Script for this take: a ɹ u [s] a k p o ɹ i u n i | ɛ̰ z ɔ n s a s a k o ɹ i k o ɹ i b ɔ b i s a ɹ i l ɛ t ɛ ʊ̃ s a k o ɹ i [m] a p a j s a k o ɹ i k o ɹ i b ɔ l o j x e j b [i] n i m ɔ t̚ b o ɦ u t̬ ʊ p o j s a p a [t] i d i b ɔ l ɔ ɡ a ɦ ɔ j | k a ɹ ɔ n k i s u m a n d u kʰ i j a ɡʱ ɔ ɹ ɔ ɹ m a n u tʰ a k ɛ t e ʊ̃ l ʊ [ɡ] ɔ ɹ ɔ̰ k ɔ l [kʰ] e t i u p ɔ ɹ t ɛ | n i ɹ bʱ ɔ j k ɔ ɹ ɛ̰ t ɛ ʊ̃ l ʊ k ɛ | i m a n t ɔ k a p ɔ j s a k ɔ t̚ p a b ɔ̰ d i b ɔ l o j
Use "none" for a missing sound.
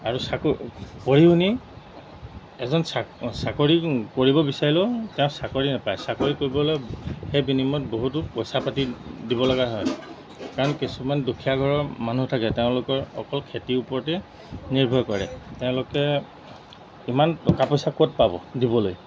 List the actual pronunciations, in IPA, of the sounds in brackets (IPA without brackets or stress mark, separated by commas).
s, n, i, t, k, kʰ